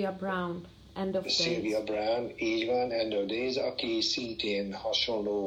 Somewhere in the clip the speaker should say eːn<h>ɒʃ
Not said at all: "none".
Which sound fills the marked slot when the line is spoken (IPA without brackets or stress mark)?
h